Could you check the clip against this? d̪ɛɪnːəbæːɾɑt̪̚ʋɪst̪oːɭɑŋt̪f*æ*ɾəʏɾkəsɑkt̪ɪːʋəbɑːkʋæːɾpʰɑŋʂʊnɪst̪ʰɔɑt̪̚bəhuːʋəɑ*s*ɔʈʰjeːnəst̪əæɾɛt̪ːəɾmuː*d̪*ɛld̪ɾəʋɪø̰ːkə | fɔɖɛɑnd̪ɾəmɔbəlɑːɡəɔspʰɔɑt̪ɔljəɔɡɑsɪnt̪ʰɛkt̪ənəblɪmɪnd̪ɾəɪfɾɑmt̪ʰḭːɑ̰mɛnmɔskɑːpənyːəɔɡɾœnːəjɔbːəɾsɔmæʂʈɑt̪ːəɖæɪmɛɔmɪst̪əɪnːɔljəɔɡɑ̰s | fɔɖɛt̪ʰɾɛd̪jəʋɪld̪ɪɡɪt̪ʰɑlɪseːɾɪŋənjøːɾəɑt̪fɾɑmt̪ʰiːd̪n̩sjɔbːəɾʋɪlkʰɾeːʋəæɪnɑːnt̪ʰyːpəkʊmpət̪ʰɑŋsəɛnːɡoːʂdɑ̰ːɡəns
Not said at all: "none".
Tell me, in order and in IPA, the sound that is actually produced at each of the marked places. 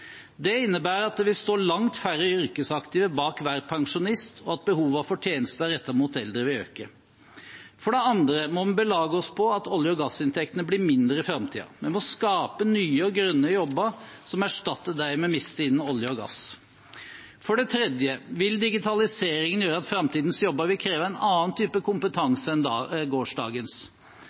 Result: æ, f, t̪

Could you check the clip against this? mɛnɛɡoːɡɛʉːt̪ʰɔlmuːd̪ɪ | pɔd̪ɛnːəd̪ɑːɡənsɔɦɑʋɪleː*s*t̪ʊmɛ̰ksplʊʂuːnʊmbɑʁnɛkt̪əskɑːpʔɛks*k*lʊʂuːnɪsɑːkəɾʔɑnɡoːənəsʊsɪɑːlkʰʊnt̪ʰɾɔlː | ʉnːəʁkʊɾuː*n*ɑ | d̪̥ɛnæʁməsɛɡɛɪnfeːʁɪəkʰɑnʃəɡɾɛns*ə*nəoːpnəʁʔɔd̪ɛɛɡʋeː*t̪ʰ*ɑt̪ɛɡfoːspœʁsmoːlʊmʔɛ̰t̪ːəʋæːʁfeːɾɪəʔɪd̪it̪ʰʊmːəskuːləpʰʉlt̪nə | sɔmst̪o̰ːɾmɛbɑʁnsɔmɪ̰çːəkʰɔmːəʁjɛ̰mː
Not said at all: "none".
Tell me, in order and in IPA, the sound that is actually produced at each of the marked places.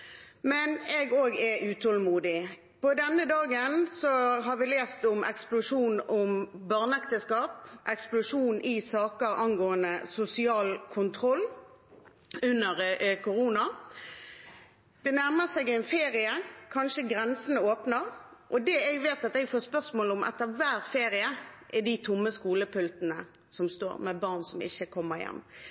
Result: s, p, n, ə, t̪

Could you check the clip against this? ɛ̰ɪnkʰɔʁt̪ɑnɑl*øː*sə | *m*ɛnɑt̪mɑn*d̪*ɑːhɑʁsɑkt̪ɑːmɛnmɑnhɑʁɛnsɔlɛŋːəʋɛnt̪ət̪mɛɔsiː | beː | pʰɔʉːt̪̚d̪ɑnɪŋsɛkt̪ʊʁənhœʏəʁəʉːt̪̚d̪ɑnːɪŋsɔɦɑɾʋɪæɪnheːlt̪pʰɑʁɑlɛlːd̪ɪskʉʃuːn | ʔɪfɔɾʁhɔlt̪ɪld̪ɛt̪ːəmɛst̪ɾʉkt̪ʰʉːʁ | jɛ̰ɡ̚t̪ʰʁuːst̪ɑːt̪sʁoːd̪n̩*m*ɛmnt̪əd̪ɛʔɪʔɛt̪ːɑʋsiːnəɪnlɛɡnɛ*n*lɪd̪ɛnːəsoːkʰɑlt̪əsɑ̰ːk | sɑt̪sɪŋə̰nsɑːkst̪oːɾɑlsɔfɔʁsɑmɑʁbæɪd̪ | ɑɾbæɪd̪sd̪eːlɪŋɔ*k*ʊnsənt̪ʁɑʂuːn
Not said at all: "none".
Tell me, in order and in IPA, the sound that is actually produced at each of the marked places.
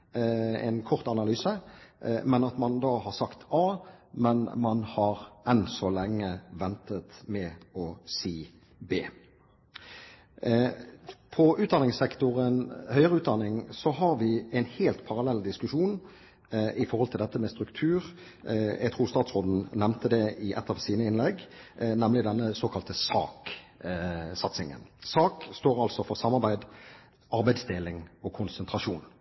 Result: yː, m, d̪, n, m, kʰ

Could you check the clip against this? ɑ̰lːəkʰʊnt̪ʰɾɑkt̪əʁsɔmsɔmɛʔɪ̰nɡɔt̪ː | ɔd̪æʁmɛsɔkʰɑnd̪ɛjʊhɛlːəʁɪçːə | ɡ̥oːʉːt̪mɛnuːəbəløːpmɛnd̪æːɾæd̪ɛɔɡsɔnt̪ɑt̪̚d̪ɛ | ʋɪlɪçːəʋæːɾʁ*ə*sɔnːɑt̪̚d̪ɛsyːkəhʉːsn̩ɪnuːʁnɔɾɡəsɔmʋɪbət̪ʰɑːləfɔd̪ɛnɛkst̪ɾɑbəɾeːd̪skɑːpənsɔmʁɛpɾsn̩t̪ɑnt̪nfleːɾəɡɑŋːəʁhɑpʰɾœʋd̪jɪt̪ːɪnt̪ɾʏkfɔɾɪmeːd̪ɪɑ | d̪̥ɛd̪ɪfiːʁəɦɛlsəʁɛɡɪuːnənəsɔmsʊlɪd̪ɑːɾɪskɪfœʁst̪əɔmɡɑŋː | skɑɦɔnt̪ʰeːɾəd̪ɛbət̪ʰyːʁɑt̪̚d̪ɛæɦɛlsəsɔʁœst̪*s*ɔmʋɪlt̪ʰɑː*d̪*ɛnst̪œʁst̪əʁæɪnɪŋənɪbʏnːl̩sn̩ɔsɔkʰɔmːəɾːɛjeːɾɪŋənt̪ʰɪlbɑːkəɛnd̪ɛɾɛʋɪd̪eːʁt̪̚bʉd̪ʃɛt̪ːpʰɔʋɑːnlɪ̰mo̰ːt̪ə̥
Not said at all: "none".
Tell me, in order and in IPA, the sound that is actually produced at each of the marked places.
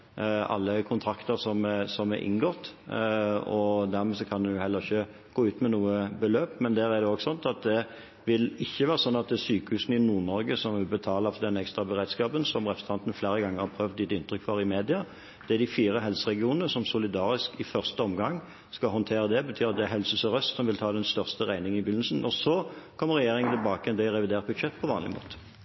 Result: ə, s, d̪

